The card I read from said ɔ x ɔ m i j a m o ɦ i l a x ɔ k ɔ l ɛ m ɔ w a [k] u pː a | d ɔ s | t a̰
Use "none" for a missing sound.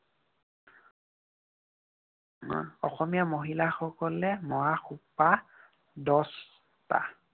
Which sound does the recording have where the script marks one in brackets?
x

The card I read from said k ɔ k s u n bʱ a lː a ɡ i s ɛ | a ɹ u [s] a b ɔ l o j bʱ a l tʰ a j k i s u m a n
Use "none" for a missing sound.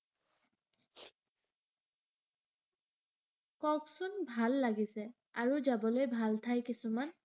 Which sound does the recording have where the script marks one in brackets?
z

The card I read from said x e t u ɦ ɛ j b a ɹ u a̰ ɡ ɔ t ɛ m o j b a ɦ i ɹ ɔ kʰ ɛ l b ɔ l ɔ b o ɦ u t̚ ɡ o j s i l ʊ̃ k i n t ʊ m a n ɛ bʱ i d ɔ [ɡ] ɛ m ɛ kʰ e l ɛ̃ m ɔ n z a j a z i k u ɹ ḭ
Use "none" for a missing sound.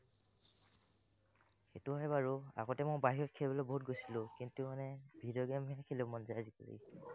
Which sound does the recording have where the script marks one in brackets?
ɡ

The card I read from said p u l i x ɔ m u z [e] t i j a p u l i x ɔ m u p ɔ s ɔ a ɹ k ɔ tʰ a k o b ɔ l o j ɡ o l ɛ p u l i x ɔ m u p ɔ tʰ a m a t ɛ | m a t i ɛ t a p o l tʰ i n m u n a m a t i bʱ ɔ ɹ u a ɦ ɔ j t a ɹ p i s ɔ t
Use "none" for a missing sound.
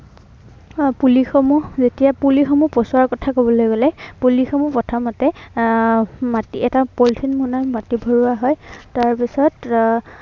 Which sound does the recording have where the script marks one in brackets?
e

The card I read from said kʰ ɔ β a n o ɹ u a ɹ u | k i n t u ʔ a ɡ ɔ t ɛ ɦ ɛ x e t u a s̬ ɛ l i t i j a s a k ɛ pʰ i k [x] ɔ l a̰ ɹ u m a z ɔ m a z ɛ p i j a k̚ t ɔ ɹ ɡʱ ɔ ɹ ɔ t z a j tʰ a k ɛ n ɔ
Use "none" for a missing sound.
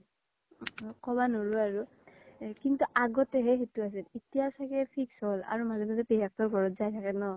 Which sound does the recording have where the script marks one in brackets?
s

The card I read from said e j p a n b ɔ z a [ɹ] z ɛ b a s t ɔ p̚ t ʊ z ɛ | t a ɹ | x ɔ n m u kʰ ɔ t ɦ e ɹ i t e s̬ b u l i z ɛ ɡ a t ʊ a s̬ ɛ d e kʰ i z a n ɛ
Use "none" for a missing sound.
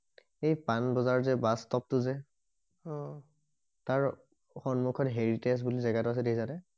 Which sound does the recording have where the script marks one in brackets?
ɹ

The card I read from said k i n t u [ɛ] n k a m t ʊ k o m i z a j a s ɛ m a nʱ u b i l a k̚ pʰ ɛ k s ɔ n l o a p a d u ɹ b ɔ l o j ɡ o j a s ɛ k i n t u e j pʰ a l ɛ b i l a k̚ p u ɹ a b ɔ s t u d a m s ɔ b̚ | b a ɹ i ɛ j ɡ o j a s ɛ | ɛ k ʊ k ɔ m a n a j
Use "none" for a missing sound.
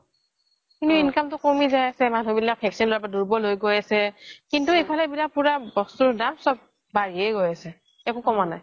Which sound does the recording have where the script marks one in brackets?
i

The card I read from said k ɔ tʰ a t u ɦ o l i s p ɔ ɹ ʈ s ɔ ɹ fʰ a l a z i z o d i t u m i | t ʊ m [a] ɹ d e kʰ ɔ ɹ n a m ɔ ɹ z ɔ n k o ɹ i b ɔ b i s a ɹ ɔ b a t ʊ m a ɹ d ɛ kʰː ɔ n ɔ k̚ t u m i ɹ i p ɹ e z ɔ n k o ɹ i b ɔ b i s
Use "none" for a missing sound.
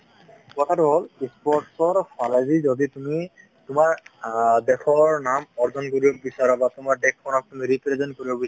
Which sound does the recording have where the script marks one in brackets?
a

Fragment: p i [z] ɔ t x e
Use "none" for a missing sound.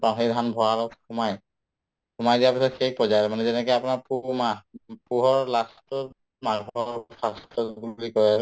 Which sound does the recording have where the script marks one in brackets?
s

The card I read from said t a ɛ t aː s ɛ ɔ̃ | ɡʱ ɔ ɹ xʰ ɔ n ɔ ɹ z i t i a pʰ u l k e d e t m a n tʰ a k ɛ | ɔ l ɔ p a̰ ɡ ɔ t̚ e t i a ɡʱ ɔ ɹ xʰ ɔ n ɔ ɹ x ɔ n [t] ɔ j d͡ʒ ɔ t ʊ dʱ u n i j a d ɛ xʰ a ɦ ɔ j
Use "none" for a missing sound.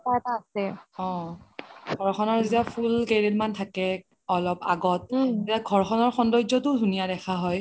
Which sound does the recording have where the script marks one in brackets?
d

